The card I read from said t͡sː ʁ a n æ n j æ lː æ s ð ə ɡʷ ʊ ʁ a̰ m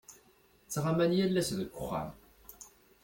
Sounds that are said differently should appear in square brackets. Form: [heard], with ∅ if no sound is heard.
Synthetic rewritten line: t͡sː ʁ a [m] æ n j æ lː æ s ð ə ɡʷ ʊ [χ] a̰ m